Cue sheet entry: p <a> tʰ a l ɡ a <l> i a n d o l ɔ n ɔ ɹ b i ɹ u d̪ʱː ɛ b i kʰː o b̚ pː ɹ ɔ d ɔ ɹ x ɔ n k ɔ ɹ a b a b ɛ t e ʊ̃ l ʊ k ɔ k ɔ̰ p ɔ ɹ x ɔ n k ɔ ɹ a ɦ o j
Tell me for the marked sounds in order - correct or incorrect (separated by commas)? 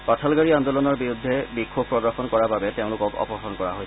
correct, incorrect